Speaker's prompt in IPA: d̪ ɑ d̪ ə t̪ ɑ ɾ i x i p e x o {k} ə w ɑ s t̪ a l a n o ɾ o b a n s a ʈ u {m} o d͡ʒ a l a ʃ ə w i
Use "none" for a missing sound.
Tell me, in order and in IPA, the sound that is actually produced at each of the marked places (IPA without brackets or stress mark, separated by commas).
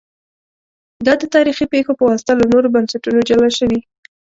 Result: p, n